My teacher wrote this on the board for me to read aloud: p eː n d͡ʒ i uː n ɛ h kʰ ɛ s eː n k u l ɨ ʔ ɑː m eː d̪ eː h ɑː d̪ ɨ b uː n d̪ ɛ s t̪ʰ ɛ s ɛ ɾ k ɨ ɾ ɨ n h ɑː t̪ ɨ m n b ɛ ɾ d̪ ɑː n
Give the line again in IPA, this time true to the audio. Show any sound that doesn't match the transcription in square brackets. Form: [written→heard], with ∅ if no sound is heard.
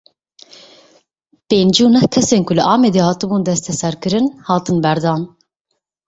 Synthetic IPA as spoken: p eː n d͡ʒ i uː n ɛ h kʰ ɛ s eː n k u l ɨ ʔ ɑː m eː d̪ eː h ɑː [d̪→t̪] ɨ b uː n d̪ ɛ s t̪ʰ ɛ s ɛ ɾ k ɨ ɾ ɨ n h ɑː t̪ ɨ [m→∅] n b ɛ ɾ d̪ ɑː n